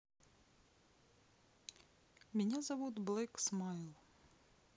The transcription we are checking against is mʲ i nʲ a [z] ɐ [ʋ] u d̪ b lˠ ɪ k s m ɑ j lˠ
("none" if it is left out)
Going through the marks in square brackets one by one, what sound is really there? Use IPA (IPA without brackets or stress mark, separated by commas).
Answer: z, ʋ